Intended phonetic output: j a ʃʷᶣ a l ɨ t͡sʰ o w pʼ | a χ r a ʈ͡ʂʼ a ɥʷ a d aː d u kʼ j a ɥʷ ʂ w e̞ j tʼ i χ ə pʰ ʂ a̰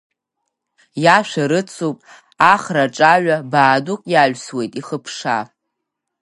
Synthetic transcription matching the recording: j a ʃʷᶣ a ɾ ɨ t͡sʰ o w pʼ | a χ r a ʈ͡ʂʼ a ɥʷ a b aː d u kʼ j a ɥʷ s w e̞ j tʼ i χ ə pʰ ʂ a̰